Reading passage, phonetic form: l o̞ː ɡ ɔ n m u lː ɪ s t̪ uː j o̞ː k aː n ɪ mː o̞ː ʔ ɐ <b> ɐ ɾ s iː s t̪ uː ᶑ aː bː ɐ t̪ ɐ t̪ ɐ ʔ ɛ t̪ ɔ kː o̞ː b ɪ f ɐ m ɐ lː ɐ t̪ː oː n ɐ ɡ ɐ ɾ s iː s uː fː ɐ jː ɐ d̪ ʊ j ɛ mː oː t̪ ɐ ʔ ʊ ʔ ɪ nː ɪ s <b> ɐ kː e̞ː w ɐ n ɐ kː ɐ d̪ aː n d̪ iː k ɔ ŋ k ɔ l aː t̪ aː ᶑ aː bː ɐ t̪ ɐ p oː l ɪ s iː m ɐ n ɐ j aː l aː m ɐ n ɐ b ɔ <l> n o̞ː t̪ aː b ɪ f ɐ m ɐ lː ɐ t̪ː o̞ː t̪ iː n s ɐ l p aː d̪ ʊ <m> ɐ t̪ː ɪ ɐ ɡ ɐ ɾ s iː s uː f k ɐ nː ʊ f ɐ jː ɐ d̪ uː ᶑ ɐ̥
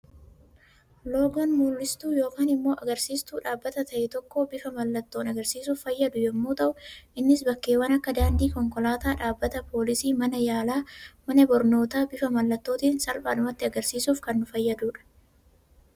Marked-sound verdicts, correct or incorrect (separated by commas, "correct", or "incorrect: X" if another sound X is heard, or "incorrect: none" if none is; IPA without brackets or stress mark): incorrect: ɡ, correct, incorrect: ɾ, correct